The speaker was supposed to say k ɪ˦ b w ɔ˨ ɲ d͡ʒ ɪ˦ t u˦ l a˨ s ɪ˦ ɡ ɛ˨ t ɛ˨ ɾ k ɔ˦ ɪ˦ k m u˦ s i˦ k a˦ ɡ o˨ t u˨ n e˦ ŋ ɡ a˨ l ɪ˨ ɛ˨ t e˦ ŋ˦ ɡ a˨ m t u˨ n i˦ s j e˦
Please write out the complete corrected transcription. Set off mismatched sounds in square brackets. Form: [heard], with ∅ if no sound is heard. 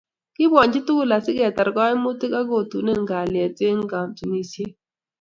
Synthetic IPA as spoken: k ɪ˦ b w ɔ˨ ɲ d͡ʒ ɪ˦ t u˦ l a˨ s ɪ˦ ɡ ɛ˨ t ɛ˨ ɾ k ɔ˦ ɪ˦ [∅] m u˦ [t] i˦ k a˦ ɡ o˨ t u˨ n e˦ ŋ ɡ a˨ l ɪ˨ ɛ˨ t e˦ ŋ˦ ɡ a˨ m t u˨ n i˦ s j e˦